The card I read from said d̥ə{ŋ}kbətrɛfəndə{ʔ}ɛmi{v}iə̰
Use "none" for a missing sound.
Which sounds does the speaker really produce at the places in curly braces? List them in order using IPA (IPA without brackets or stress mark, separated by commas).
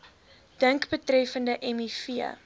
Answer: ŋ, ʔ, f